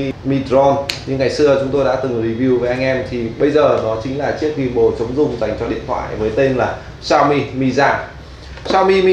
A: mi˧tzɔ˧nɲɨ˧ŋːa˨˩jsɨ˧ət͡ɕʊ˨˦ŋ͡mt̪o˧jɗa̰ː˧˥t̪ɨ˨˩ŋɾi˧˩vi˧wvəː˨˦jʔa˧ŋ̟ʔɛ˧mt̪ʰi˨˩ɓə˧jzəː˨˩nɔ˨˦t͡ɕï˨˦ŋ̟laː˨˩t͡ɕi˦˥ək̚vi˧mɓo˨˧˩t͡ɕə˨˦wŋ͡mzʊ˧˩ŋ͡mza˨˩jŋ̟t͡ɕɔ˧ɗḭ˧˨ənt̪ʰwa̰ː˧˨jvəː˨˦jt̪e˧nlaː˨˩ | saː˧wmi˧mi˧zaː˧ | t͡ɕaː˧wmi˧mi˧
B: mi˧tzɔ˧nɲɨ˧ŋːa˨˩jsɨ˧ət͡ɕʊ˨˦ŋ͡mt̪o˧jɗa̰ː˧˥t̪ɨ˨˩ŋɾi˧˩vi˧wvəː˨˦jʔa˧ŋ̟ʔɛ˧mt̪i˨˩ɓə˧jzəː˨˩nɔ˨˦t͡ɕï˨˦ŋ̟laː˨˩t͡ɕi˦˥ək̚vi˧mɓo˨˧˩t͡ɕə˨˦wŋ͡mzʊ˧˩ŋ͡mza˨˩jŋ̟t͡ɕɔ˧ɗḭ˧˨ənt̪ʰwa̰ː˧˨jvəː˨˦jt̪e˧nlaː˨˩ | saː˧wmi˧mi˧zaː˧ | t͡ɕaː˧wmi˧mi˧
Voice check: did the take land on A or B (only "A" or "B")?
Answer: A